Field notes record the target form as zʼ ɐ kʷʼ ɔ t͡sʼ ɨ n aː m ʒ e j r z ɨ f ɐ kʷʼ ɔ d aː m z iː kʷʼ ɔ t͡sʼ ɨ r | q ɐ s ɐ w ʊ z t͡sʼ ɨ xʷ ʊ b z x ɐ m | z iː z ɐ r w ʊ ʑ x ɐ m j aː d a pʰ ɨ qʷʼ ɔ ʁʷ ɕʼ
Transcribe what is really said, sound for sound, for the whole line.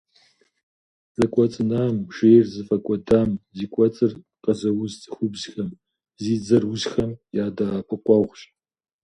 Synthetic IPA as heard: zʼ ɐ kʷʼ ɔ t͡sʼ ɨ n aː m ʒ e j r z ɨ f ɐ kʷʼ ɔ d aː m z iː kʷʼ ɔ t͡sʼ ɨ r | q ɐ z ɐ w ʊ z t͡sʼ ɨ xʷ ʊ b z x ɐ m | z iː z ɐ r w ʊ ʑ x ɐ m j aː d a pʰ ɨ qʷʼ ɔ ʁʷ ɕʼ